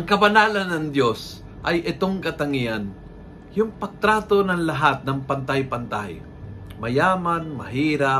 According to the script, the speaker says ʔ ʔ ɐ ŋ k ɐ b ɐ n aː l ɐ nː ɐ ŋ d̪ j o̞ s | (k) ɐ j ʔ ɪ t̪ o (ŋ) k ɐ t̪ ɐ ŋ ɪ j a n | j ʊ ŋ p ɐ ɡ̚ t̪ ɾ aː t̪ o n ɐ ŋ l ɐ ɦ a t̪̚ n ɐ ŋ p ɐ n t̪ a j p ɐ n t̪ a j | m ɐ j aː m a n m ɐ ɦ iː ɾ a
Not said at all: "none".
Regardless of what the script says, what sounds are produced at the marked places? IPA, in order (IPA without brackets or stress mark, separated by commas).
ʔ, ŋ